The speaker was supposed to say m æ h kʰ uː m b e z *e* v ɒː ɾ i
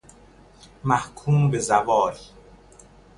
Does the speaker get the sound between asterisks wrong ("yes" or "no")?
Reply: yes